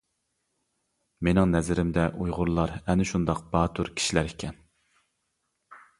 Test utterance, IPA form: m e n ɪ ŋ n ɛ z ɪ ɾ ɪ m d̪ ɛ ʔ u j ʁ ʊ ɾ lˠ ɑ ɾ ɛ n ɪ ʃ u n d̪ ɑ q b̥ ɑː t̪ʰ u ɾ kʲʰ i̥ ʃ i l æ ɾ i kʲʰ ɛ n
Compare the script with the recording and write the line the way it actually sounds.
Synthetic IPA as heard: m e n ɪ ŋ n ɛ z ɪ ɾ ɪ m d̪ ɛ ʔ u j ʁ ʊ ɾ lˠ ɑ ɾ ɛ n ɪ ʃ u n d̪ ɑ q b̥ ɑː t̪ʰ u ɾ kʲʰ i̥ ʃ i l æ ɾ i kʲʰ ɛ n

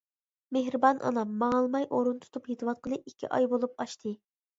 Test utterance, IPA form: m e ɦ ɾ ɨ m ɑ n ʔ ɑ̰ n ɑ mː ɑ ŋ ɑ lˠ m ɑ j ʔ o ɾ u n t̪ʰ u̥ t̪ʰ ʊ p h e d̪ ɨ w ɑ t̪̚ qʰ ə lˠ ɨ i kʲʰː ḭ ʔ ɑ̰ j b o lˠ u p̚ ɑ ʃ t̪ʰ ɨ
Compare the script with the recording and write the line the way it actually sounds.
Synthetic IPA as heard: m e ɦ ɾ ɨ b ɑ n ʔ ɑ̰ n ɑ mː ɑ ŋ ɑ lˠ m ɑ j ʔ o ɾ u n t̪ʰ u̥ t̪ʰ u p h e t̪ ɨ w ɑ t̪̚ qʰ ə lˠ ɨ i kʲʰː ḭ ʔ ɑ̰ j b o lˠ u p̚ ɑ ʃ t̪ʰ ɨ

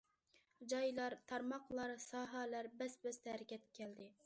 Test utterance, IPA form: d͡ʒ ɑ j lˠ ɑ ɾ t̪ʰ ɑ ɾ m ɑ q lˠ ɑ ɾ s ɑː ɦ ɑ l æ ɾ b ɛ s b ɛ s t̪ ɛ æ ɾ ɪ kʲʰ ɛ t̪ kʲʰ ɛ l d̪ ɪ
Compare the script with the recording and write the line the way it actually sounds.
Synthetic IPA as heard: d͡ʒ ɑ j lˠ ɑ ɾ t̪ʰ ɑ ɾ m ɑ q lˠ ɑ ɾ s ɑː ɦ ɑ l æ ɾ b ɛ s b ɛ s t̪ ɛ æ ɾ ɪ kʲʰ ɛ t̪ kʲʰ ɛ l d̪ ɪ

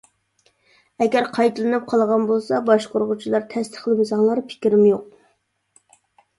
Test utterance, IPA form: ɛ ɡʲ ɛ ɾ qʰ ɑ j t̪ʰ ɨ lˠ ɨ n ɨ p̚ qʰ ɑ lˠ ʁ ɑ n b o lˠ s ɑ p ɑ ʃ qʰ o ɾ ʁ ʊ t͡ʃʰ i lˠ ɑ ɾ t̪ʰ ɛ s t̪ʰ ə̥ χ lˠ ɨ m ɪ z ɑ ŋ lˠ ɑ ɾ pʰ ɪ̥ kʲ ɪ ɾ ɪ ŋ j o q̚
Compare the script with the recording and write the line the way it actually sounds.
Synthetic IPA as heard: ɛ ɡʲ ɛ ɾ qʰ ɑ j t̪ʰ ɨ lˠ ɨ n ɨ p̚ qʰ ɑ lˠ ʁ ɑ n b o lˠ s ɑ b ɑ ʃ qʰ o ɾ ʁ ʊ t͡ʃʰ i lˠ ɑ ɾ t̪ʰ ɛ s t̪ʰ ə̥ χ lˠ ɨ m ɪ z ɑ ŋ lˠ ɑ ɾ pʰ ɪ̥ kʲ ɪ ɾ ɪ m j o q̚

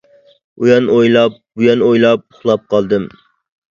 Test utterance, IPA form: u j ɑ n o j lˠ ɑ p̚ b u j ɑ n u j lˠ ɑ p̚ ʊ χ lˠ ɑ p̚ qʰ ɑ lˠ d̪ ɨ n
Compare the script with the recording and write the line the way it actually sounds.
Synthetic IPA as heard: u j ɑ n o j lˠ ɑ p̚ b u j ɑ n o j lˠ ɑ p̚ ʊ χ lˠ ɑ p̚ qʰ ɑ lˠ d̪ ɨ m

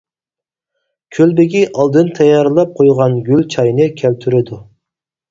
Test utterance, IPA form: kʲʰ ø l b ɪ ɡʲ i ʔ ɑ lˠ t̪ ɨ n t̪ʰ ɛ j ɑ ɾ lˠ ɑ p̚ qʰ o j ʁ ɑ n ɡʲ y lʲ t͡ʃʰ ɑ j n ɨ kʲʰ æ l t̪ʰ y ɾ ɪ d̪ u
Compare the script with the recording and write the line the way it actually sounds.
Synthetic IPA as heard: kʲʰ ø l b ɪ ɡʲ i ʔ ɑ lˠ d̪ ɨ n t̪ʰ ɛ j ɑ ɾ lˠ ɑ p̚ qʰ o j ʁ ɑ n ɡʲ y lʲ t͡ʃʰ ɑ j n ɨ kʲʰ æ l t̪ʰ y ɾ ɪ d̪ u

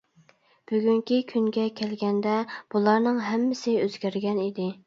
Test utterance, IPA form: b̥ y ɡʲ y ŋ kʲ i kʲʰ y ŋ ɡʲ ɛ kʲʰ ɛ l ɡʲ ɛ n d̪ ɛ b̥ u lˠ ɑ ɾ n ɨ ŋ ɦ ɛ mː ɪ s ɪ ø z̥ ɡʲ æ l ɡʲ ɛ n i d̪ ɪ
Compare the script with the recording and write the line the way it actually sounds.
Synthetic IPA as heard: b̥ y ɡʲ y ŋ kʲ i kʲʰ y ŋ ɡʲ ɛ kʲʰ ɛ l ɡʲ ɛ n d̪ ɛ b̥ u lˠ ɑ ɾ n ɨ ŋ ɦ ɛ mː ɪ s ɪ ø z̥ ɡʲ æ ɾ ɡʲ ɛ n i d̪ ɪ

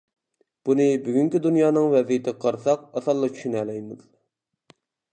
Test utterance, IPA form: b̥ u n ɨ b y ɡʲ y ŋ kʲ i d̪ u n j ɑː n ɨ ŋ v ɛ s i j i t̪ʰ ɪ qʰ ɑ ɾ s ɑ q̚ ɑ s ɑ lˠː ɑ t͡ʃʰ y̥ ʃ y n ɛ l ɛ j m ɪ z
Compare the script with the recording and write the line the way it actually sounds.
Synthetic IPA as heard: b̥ u n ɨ b y ɡʲ y ŋ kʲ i d̪ u n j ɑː n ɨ ŋ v ɛ z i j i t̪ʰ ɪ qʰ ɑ ɾ s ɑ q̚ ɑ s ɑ lˠː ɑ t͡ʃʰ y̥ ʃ y n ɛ l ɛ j m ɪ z

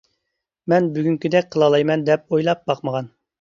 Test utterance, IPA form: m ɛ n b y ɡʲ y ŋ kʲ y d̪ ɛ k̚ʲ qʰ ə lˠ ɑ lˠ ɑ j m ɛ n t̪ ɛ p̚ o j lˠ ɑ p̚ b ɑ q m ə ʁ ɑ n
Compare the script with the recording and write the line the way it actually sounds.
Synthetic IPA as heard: m ɛ n b y ɡʲ y ŋ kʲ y d̪ ɛ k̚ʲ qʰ ə lˠ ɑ lˠ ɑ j m ɛ n d̪ ɛ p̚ o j lˠ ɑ p̚ b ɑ q m ə ʁ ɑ n

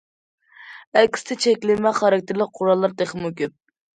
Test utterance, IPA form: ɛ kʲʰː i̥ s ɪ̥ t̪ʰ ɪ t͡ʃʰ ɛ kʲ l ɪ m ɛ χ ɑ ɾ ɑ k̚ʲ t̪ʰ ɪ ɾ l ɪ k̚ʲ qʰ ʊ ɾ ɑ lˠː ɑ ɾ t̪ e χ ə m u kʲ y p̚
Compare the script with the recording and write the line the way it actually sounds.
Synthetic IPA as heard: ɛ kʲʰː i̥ s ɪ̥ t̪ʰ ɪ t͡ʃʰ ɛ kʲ l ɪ m ɛ χ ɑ ɾ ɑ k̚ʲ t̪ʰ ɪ ɾ l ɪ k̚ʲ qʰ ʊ ɾ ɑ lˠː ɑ ɾ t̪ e χ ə m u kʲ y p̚

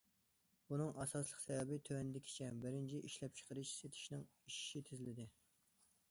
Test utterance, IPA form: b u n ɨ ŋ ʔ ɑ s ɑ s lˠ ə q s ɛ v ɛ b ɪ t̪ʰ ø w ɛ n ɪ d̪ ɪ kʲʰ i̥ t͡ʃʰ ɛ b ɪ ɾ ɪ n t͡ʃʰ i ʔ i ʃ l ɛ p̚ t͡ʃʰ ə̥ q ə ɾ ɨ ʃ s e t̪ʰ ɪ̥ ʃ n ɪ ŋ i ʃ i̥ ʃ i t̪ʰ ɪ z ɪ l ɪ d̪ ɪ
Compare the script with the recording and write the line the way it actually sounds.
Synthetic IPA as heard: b u n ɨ ŋ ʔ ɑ s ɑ s lˠ ə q s ɛ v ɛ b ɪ t̪ʰ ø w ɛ n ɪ d̪ ɪ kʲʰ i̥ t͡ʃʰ ɛ b ɪ ɾ ɪ n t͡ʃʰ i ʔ i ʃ l ɛ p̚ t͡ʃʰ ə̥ q ə ɾ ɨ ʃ s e t̪ʰ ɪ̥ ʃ n ɪ ŋ i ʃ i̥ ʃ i t̪ʰ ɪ z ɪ l ɪ d̪ ɪ

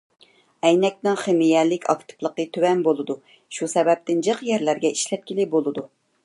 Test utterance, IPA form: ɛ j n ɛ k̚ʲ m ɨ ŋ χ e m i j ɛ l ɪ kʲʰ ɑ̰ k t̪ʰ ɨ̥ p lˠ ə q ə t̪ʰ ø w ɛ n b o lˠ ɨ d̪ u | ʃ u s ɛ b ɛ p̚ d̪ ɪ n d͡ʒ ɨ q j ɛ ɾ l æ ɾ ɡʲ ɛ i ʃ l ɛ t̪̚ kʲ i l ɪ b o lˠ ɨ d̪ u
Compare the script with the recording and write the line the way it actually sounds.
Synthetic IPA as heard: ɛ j n ɛ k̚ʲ n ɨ ŋ χ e m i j ɛ l ɪ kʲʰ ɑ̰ k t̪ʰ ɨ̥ p lˠ ə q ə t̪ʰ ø w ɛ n b o lˠ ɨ d̪ u | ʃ u s ɛ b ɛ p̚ t̪ ɪ n d͡ʒ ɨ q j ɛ ɾ l æ ɾ ɡʲ ɛ i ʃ l ɛ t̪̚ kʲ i l ɪ b o lˠ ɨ d̪ u

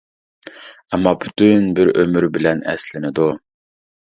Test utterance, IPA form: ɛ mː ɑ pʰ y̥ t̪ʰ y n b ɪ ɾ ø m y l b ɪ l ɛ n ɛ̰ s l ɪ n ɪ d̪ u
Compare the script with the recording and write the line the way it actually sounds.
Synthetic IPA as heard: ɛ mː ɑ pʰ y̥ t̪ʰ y n b ɪ ɾ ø m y ɾ b ɪ l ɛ n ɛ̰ s l ɪ n ɪ d̪ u

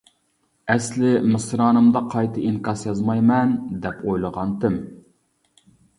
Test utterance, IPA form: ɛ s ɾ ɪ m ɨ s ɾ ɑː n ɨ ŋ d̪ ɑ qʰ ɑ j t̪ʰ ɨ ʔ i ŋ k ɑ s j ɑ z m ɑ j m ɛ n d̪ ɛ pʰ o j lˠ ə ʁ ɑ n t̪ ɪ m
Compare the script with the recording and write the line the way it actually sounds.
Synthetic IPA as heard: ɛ s l ɪ m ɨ s ɾ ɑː n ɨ m d̪ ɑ qʰ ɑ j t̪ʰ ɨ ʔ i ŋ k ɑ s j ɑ z m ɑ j m ɛ n d̪ ɛ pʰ o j lˠ ə ʁ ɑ n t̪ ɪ m

